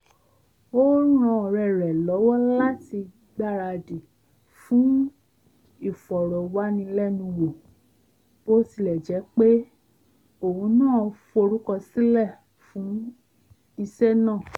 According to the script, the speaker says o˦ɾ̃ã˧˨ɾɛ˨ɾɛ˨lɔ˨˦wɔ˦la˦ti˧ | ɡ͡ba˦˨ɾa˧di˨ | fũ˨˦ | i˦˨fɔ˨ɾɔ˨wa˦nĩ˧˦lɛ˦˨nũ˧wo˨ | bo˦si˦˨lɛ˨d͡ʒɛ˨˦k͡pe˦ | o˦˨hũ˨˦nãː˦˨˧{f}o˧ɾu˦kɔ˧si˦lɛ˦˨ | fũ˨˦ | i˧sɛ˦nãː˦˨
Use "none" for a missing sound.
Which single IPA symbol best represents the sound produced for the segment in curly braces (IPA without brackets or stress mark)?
f